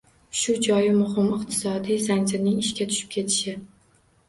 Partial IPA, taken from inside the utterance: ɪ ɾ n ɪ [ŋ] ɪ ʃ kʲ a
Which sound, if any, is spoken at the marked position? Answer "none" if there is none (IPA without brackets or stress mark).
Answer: ŋ